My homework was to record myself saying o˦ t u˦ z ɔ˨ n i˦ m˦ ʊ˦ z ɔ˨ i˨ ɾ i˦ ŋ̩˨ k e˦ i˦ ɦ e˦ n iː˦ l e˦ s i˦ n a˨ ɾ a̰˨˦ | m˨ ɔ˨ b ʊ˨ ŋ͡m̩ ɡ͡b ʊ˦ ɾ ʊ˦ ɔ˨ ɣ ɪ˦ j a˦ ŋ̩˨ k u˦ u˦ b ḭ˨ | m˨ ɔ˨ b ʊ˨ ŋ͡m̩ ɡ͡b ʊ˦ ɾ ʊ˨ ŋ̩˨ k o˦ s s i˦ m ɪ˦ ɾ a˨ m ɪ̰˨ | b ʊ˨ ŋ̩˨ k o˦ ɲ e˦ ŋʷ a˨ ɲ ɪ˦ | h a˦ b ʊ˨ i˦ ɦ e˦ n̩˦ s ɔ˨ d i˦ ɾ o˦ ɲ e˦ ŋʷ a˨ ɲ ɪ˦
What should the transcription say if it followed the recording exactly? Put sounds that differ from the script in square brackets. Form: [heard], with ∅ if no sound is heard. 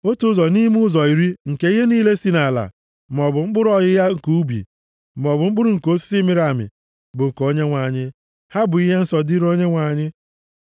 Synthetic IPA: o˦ t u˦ z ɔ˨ n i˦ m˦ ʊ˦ z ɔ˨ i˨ ɾ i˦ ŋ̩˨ k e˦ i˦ ɦ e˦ n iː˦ l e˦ s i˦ n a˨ [l] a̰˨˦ | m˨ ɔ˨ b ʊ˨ ŋ͡m̩ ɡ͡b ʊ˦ ɾ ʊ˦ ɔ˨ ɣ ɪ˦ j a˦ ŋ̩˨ k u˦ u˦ b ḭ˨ | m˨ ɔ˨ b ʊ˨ ŋ͡m̩ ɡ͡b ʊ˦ ɾ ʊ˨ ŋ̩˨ k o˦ s s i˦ m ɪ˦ ɾ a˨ m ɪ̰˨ | b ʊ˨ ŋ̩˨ k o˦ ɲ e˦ ŋʷ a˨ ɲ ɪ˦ | h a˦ b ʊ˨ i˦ ɦ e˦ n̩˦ s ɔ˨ d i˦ ɾ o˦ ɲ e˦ ŋʷ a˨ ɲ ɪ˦